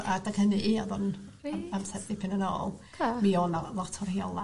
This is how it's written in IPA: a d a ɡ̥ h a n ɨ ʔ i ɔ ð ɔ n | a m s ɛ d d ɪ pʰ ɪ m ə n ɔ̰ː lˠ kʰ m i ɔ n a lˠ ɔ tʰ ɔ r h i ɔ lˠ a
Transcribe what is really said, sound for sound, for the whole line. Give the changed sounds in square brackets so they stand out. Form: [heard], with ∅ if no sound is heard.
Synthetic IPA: a d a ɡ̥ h [ə] n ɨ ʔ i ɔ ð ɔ n | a m s ɛ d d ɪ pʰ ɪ [n] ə n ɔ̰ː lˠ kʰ m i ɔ n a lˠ ɔ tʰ ɔ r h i ɔ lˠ a